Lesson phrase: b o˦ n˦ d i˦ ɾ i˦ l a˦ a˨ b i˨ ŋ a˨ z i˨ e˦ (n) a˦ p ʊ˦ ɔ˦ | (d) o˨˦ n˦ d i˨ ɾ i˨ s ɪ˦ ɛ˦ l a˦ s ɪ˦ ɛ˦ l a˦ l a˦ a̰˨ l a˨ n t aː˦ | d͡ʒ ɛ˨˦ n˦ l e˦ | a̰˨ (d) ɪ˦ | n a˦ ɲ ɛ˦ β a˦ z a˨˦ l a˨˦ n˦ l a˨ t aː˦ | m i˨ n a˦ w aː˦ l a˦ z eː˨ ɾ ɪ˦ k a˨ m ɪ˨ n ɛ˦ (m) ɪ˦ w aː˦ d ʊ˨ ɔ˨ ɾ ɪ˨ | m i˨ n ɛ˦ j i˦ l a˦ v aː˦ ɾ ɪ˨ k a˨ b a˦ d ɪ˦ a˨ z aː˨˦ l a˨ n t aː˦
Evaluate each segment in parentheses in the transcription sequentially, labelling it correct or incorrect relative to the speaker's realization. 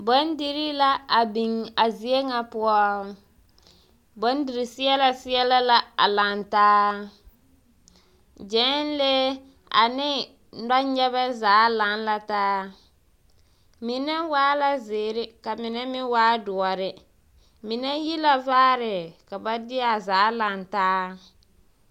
incorrect: ŋ, incorrect: b, incorrect: n, correct

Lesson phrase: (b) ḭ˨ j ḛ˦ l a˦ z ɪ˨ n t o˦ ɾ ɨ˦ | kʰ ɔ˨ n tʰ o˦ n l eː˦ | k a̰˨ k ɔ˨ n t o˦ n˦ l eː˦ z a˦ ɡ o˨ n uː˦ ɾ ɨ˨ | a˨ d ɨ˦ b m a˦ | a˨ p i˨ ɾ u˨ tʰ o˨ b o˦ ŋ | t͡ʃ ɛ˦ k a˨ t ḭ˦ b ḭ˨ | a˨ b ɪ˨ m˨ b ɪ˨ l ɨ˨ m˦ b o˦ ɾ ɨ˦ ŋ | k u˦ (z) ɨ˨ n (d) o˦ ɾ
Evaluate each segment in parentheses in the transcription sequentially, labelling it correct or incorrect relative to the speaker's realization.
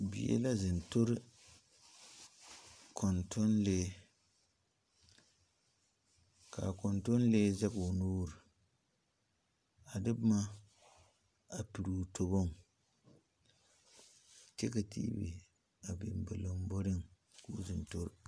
correct, correct, incorrect: t

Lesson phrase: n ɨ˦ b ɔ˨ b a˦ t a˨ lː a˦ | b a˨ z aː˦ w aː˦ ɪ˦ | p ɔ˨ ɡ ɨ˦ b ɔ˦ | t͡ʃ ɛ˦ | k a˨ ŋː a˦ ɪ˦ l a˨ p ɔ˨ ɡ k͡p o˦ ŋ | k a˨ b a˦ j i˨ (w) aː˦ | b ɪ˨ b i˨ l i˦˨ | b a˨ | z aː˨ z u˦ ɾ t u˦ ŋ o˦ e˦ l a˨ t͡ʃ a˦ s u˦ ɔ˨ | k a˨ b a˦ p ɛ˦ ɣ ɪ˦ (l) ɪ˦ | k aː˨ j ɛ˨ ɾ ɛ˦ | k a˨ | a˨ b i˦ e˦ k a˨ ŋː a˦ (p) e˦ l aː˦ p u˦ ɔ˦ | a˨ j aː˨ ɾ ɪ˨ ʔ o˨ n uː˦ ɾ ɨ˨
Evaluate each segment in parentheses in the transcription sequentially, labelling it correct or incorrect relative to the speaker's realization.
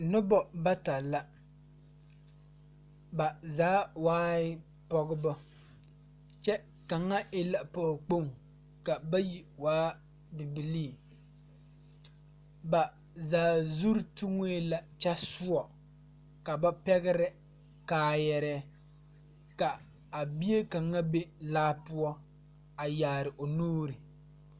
correct, incorrect: ɾ, incorrect: b

